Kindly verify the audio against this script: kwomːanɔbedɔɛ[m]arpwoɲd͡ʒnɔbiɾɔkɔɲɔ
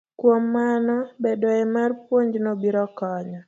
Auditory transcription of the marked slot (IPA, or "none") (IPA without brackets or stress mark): m